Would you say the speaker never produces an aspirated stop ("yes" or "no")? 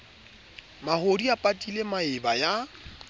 yes